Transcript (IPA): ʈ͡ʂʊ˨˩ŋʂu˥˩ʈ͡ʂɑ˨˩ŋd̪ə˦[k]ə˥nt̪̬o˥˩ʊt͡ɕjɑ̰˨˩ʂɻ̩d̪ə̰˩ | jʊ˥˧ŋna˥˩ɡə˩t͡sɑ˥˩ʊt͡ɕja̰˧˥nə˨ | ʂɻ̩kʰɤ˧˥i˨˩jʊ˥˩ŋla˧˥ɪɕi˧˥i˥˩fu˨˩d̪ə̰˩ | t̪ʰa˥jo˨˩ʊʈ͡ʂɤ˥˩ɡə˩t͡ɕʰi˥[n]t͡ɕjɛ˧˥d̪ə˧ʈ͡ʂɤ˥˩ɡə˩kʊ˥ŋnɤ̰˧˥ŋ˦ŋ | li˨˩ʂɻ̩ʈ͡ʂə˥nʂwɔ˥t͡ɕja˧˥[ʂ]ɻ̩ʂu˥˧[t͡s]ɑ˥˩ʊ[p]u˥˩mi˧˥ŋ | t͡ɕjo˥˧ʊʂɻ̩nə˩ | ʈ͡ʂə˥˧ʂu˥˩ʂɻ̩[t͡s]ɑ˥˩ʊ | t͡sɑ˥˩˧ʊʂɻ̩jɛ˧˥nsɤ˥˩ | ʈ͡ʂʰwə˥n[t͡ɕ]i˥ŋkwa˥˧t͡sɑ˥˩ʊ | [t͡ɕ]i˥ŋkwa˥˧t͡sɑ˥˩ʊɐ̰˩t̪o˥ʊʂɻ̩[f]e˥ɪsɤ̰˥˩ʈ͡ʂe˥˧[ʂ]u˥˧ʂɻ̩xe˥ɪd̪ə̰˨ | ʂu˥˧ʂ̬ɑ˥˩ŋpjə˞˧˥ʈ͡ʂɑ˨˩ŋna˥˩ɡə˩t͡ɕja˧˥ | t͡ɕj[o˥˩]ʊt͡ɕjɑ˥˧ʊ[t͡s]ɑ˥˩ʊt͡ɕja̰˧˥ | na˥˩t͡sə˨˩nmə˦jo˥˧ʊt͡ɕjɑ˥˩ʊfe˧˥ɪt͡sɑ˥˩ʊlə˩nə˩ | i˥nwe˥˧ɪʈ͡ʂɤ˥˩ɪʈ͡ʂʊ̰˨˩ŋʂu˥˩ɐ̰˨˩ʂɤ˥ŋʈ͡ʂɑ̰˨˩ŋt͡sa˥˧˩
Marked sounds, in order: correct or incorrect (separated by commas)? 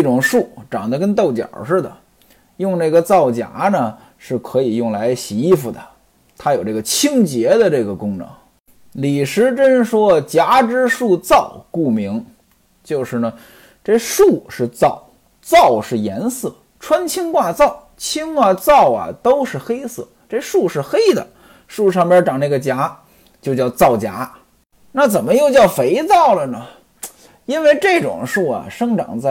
correct, incorrect, incorrect, correct, incorrect, correct, incorrect, incorrect, incorrect, correct, incorrect, correct